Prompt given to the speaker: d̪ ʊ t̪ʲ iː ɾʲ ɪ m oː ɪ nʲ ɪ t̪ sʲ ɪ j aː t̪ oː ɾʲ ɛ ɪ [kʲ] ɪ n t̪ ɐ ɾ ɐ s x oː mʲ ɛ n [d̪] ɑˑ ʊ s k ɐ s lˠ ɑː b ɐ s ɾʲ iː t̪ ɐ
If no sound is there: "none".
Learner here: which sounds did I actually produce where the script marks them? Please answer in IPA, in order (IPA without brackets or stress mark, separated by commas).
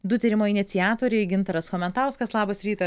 ɡʲ, t̪